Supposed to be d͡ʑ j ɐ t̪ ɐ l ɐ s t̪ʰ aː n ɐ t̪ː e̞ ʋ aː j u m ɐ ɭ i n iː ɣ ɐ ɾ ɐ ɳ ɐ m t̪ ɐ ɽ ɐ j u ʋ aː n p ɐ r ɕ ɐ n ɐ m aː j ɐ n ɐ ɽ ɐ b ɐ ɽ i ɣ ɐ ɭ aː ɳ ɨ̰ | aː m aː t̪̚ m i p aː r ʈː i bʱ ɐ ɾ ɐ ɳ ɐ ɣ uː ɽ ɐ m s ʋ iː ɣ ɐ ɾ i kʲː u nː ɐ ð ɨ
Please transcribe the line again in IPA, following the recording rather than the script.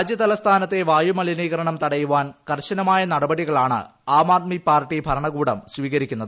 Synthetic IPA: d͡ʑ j ɐ t̪ ɐ l ɐ s t̪ʰ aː n ɐ t̪ː e̞ ʋ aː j u m ɐ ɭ i n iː ɣ ɐ ɾ ɐ ɳ ɐ m t̪ ɐ ɽ ɐ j u ʋ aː n k ɐ r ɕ ɐ n ɐ m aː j ɐ n ɐ ɽ ɐ b ɐ ɽ i ɣ ɐ ɭ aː ɳ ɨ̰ | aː m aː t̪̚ m i p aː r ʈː i bʱ ɐ ɾ ɐ ɳ ɐ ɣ uː ɽ ɐ m s ʋ iː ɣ ɐ ɾ i kʲː u nː ɐ ð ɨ